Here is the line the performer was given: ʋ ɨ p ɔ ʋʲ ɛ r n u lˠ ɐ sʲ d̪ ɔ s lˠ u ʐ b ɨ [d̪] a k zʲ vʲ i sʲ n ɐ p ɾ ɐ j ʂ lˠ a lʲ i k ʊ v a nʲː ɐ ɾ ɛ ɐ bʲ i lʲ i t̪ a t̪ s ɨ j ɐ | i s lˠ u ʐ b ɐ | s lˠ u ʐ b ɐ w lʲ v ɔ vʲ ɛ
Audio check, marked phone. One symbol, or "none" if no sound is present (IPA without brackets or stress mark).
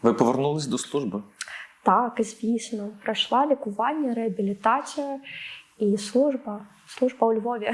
t̪